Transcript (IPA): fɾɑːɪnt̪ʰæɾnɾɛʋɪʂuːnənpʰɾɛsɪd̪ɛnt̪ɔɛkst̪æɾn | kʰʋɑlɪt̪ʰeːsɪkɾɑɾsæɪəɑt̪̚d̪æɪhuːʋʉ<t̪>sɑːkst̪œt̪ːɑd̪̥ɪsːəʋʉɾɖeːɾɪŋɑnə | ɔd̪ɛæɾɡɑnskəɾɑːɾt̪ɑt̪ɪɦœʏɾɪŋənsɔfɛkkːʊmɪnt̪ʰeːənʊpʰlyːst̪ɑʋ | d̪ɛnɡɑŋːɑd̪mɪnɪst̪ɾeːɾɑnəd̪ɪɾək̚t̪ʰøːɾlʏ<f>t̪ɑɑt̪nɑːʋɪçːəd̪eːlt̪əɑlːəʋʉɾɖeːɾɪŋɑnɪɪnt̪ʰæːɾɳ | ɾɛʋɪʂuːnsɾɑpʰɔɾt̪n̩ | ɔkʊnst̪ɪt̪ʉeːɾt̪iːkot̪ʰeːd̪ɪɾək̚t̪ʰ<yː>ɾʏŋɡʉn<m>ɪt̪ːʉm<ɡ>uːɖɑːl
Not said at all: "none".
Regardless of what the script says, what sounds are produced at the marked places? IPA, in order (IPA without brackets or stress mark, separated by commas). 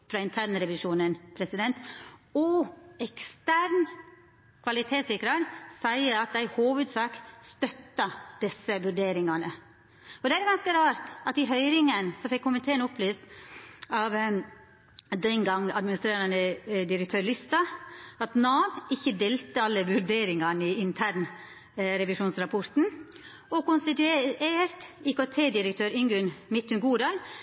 d̪, s, øː, m, ɡ